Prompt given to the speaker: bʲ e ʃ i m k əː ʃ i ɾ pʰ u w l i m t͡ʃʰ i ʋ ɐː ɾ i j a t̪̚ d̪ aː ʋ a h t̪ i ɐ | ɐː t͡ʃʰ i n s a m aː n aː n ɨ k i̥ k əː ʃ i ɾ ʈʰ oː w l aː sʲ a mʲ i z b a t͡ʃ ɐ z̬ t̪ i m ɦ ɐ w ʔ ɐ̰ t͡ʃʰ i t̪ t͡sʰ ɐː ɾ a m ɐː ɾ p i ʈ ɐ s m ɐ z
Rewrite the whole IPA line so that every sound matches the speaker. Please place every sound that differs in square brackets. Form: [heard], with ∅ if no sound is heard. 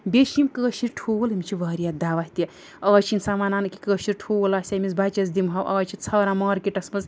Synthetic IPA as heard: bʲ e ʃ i m k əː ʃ i ɾ [ʈʰ] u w l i m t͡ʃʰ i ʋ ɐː ɾ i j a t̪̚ d̪ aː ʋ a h t̪ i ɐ | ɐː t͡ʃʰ i n s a m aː n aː n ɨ k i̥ k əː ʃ i ɾ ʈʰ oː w l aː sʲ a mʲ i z b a t͡ʃ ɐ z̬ [d̪] i m ɦ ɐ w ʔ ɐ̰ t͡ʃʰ i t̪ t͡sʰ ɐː ɾ a m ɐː ɾ [k] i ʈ ɐ s m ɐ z